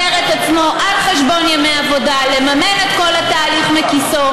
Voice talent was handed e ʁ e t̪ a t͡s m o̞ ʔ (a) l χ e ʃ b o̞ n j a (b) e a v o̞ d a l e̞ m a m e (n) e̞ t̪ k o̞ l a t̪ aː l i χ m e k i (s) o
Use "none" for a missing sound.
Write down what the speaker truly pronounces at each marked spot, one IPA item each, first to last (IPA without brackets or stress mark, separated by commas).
a, m, n, s